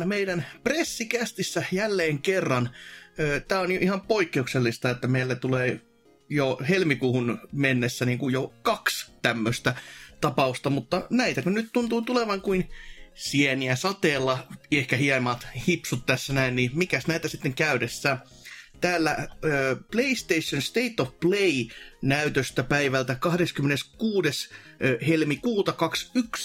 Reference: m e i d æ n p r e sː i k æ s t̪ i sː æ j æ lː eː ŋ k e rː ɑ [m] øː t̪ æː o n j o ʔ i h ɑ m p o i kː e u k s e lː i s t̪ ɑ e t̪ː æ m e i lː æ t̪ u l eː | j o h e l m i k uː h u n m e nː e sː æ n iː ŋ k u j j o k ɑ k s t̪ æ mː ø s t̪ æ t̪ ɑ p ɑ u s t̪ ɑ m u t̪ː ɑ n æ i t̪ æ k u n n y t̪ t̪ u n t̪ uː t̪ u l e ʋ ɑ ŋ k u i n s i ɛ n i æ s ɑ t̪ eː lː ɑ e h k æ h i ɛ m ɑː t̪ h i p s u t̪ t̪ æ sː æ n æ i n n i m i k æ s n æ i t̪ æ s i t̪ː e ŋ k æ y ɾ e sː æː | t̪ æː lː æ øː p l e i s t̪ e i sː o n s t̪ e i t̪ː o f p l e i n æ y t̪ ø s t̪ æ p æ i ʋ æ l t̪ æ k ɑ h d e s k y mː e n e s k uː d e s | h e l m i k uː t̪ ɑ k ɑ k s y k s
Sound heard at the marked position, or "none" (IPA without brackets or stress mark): n